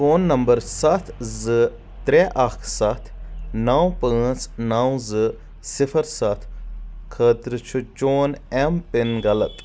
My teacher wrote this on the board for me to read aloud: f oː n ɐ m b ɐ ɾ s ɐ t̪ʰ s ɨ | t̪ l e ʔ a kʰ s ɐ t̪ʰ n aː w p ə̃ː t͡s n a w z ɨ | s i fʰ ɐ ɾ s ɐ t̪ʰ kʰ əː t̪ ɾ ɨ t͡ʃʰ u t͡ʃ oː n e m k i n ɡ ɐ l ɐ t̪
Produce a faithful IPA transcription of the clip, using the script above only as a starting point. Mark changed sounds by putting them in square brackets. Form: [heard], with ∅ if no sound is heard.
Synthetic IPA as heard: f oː [nː] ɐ m b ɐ ɾ s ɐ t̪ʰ [z] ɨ | t̪ [ɾ] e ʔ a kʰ s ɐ t̪ʰ n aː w p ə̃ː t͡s n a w z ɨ | s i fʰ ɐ ɾ s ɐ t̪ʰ kʰ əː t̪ ɾ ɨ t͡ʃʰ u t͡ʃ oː n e m [p] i n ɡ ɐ l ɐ t̪